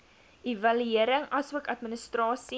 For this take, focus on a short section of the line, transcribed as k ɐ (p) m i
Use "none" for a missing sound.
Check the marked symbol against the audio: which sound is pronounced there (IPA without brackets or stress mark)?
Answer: t